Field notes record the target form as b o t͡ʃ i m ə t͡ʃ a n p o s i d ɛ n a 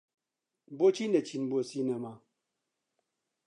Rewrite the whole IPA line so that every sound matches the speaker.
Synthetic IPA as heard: b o t͡ʃ i n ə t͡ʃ i n b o s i n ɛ m a